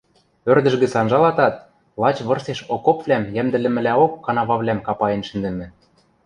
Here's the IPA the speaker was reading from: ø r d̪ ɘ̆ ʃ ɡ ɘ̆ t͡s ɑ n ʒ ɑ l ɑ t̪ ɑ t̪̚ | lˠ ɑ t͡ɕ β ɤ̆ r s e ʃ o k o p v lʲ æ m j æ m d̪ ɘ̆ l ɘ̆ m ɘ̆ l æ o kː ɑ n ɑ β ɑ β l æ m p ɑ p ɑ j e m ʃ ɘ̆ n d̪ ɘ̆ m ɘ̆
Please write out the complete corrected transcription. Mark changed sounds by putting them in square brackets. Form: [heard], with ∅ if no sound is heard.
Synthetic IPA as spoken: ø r d̪ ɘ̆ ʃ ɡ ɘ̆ t͡s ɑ n ʒ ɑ l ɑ t̪ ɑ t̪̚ | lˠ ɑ t͡ɕ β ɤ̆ r s e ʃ o k o p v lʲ æ m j æ m d̪ ɘ̆ l ɘ̆ m ɘ̆ l æ o kː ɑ n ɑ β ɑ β l æ m [k] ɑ p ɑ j e [n] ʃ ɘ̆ n d̪ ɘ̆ m ɘ̆